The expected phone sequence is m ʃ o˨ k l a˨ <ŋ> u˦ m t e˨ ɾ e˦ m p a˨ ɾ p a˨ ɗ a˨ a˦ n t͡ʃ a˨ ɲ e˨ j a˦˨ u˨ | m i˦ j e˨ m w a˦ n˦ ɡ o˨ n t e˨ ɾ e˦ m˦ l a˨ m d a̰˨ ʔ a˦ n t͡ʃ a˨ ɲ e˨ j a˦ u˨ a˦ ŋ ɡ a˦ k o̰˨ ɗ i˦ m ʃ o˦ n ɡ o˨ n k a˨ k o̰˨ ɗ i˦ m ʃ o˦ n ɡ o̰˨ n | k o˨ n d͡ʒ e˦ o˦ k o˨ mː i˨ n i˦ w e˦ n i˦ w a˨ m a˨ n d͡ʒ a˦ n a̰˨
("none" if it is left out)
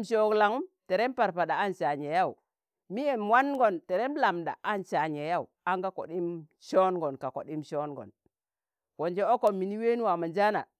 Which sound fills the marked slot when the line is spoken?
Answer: ŋ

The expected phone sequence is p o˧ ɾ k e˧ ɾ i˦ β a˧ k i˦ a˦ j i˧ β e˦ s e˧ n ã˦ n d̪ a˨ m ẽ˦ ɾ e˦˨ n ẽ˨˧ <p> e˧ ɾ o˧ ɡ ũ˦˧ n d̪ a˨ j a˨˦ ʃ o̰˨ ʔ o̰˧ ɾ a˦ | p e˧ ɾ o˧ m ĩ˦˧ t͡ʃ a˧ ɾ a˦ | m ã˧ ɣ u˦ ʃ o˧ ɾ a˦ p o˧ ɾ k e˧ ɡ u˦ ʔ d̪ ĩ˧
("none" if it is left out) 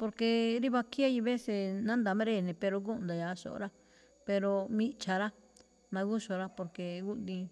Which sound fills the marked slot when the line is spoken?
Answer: p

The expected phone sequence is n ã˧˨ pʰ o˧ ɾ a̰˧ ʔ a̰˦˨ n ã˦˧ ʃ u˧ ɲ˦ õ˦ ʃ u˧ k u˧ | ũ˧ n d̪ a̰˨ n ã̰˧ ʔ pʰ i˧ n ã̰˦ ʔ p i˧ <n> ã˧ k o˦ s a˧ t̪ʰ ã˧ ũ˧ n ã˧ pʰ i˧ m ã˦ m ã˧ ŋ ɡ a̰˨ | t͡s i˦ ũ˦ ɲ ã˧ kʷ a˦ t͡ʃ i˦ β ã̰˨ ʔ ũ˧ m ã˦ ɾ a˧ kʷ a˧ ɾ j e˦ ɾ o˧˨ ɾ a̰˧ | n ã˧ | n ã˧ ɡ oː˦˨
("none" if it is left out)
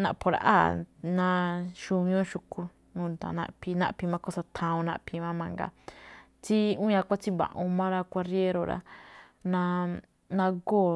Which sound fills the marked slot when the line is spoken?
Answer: m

